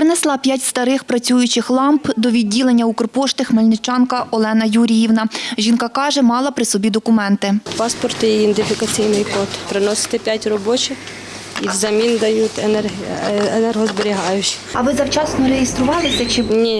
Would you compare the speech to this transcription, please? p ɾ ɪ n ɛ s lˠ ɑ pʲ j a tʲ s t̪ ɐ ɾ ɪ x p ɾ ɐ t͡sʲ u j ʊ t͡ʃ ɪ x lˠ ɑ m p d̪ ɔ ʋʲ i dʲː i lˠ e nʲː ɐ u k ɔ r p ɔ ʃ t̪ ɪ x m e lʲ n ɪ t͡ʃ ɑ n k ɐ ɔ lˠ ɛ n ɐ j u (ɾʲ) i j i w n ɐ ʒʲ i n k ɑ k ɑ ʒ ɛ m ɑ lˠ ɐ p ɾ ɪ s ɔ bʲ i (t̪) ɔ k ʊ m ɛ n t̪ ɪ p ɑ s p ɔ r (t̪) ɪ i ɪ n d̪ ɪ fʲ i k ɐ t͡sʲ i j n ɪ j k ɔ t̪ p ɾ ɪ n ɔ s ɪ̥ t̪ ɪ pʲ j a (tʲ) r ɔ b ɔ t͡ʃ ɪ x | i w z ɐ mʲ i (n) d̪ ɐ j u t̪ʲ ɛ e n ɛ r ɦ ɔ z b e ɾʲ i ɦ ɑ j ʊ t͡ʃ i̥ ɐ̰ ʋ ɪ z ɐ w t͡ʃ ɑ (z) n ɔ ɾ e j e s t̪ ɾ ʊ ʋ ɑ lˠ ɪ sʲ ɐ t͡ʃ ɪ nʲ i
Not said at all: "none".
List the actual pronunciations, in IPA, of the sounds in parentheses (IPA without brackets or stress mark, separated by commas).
ɾʲ, d̪, t̪, tʲ, n, s